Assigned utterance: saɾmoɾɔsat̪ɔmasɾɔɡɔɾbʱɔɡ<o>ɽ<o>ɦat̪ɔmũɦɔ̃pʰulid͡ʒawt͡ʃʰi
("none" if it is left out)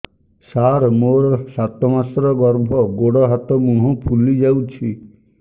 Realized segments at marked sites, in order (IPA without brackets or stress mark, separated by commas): o, ɔ